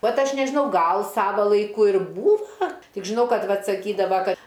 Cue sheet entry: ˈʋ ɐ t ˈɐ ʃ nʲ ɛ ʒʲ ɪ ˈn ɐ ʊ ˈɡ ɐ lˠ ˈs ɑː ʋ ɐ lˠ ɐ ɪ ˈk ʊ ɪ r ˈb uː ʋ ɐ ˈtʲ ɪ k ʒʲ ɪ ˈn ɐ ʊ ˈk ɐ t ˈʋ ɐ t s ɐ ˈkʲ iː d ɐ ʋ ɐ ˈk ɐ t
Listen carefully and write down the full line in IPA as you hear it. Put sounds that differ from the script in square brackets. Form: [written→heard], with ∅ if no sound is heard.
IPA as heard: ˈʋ ɐ t ˈɐ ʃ nʲ ɛ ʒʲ ɪ ˈn ɐ ʊ ˈɡ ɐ lˠ ˈs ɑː ʋ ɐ lˠ ɐ ɪ ˈk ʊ ɪ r ˈb uː ʋ ɐ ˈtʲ ɪ k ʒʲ ɪ ˈn ɐ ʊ ˈk ɐ t ˈʋ ɐ t s ɐ ˈkʲ iː d ɐ ʋ ɐ ˈk ɐ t